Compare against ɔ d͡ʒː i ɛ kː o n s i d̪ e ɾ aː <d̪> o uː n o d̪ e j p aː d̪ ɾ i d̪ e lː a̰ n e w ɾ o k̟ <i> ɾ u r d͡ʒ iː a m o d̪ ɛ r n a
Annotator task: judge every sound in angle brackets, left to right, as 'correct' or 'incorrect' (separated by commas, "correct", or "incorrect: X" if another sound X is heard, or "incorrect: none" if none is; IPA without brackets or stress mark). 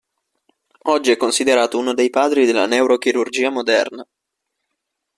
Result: incorrect: t̪, correct